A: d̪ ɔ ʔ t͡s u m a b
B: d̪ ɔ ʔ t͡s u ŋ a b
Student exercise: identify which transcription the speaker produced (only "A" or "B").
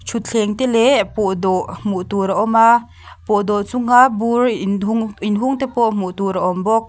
B